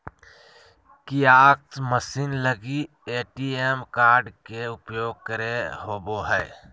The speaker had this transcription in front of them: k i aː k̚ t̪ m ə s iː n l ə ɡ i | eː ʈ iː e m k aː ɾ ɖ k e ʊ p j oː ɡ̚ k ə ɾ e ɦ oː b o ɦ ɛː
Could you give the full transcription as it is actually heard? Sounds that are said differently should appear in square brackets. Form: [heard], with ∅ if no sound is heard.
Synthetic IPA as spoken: k i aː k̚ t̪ m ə s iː n l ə ɡ i | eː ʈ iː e m k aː ɾ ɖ k e ʊ p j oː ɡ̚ k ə ɾ e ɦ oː b o ɦ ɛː